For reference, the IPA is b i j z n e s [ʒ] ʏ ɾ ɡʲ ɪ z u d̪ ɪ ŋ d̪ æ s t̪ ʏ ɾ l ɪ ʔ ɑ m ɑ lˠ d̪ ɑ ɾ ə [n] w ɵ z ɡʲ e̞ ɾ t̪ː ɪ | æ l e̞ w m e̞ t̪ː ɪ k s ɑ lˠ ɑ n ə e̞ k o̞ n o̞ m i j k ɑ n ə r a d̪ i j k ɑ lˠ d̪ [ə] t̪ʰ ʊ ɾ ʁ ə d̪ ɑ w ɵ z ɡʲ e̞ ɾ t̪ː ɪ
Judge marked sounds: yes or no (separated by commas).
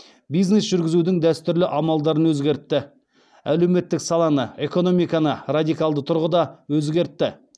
yes, yes, yes